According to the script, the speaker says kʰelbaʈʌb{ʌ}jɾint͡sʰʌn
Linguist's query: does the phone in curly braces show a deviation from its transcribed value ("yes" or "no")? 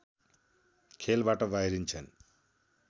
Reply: yes